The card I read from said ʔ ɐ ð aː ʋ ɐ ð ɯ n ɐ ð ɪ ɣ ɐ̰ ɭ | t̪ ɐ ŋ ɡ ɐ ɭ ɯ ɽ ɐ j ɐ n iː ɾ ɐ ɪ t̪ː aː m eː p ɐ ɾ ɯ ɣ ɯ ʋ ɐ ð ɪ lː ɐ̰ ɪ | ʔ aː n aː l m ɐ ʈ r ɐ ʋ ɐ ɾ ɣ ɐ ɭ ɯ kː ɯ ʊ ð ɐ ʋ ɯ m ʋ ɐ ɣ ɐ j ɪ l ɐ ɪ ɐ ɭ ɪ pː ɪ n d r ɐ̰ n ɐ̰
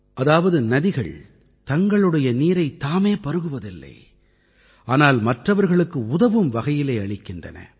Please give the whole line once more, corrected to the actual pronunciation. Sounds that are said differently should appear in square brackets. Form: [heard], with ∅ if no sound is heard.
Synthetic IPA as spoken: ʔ ɐ ð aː ʋ ɐ ð ɯ n ɐ ð ɪ ɣ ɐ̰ ɭ | t̪ ɐ ŋ ɡ ɐ ɭ ɯ ɽ ɐ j ɐ n iː ɾ ɐ ɪ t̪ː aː m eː p ɐ ɾ ɯ ɣ ɯ ʋ ɐ ð ɪ lː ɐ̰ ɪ | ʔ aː n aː l m ɐ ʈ r ɐ ʋ ɐ ɾ ɣ ɐ ɭ ɯ kː ɯ ʊ ð ɐ ʋ ɯ m ʋ ɐ ɣ ɐ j ɪ l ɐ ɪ ɐ ɭ ɪ [kː] ɪ n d r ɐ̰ n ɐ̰